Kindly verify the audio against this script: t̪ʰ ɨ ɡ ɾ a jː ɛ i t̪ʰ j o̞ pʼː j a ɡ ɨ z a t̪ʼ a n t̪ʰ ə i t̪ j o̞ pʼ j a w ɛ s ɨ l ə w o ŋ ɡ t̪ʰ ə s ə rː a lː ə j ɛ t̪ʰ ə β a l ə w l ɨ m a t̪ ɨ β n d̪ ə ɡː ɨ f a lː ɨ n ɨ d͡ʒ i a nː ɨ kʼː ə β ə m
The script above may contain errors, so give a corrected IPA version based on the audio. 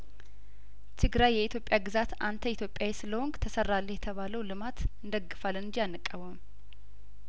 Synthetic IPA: t̪ʰ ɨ ɡ ɾ a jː ɛ i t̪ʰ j o̞ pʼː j a ɡ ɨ z a t̪ a n t̪ʰ ə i t̪ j o̞ pʼ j a w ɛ s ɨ l ə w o ŋ ɡ t̪ʰ ə s ə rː a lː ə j ɛ t̪ʰ ə β a l ə w l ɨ m a t̪ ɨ n d̪ ə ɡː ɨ f a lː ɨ n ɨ d͡ʒ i a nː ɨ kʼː ə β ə m

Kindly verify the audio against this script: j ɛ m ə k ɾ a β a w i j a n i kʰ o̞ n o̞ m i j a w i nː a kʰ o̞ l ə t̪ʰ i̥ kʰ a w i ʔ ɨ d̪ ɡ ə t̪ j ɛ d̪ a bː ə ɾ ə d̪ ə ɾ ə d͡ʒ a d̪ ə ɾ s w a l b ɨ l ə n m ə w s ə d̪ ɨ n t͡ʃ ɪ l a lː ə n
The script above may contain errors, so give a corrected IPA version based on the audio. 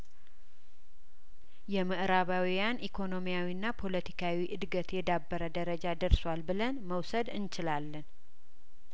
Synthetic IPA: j ɛ m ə ʔ ɾ a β a w i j a n i kʰ o̞ n o̞ m i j a w i nː a pʰ o̞ l ə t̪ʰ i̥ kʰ a w i ʔ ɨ d̪ ɡ ə t̪ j ɛ d̪ a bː ə ɾ ə d̪ ə ɾ ə d͡ʒ a d̪ ə ɾ s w a l b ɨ l ə n m ə w s ə d̪ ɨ n t͡ʃ ɪ l a lː ə n

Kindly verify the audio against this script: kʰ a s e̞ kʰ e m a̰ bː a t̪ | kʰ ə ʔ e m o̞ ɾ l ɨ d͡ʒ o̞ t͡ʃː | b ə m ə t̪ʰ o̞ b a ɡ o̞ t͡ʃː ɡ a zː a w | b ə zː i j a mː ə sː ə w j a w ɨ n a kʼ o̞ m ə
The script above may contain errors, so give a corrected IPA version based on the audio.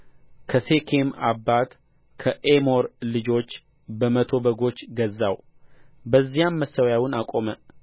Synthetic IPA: kʰ ə s e̞ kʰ e m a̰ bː a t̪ | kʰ ə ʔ e m o̞ ɾ l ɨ d͡ʒ o̞ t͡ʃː | b ə m ə t̪ʰ o̞ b ə ɡ o̞ t͡ʃː ɡ ə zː a w | b ə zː i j a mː ə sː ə w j a w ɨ n a kʼ o̞ m ə

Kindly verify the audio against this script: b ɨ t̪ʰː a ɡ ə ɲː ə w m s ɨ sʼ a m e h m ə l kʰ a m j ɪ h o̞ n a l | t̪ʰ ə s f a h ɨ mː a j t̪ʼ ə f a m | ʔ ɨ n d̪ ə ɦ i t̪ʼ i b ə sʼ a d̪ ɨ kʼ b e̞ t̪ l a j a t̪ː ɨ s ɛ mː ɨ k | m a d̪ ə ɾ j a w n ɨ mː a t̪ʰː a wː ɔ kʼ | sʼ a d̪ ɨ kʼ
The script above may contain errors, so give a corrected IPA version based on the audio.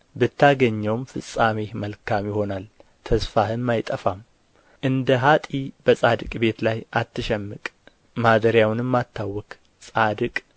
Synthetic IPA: b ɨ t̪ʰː a ɡ ə ɲː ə w m f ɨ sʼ a m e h m ə l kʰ a m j ɪ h o̞ n a l | t̪ʰ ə s f a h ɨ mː a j t̪ʼ ə f a m | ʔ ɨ n d̪ ə ɦ a t̪ʼ i b ə sʼ a d̪ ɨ kʼ b e̞ t̪ l a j a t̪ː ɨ ʃ ɛ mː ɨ kʼ | m a d̪ ə ɾ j a w n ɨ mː a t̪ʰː a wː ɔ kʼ | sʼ a d̪ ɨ kʼ

